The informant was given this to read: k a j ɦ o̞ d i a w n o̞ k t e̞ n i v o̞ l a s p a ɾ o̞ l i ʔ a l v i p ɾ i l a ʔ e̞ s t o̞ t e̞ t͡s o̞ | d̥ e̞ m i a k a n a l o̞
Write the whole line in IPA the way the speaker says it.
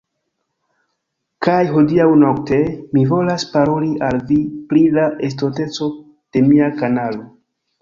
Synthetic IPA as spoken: k a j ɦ o̞ d i a w n o̞ k t e̞ m i v o̞ l a s p a ɾ o̞ l i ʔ a l v i p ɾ i l a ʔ e̞ s t o̞ t e̞ t͡s o̞ | d̥ e̞ m i a k a n a l o̞